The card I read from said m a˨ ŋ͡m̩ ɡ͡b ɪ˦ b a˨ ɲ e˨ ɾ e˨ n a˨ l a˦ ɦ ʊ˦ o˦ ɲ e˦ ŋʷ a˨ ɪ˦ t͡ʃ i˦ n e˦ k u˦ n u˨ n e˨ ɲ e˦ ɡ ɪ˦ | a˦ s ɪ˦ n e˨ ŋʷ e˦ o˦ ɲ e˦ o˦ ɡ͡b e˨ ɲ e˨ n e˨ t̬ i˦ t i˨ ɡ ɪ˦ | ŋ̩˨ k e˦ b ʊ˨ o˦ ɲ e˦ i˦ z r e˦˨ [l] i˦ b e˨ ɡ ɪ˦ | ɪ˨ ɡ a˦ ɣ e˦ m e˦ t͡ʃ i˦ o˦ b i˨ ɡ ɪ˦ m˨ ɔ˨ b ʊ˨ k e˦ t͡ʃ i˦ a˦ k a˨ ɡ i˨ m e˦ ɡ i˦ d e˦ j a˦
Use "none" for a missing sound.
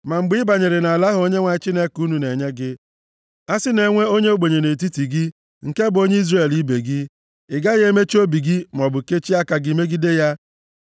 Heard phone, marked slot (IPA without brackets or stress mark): l